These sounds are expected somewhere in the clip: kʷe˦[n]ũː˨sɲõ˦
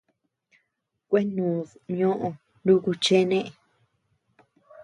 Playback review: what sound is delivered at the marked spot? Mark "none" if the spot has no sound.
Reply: n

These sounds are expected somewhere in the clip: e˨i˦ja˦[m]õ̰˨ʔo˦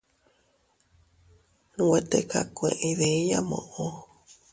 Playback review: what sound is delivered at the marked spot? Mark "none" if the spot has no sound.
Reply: m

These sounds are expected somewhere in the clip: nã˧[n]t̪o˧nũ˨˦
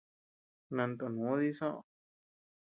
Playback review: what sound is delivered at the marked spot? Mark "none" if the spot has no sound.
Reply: n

